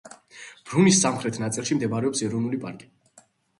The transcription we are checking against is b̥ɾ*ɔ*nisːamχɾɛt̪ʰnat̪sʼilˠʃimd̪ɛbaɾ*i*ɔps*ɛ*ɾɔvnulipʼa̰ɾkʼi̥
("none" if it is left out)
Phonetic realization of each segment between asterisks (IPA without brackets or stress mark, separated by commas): u, ɛ, ɛ